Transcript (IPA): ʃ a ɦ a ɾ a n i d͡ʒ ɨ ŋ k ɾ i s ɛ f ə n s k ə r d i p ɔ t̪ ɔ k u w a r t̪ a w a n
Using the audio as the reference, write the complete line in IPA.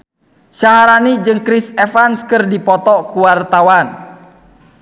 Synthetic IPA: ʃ a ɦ a ɾ a n i d͡ʒ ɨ ŋ k ɾ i s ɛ f a n s k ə r d i p ɔ t̪ ɔ k u w a r t̪ a w a n